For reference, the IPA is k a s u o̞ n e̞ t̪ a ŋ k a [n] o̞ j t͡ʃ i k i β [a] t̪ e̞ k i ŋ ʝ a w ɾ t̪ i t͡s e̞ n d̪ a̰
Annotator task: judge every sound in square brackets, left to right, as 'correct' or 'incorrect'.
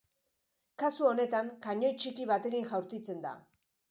incorrect: ɲ, correct

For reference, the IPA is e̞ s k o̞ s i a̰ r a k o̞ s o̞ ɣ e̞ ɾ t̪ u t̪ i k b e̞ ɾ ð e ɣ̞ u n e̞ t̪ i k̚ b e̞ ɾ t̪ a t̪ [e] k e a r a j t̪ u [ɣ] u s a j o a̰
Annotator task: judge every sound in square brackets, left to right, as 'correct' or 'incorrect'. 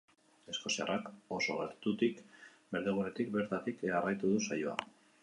incorrect: i, incorrect: ð

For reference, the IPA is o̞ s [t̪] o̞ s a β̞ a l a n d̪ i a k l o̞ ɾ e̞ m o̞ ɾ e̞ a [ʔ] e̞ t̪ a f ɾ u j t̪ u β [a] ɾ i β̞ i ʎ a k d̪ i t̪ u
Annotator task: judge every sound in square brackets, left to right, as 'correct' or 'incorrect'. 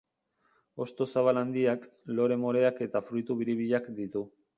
correct, incorrect: k, incorrect: i

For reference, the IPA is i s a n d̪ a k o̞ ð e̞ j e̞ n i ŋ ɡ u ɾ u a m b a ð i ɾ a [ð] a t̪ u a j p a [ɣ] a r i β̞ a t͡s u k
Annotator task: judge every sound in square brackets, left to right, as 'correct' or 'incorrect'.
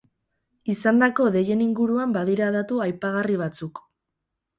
correct, correct

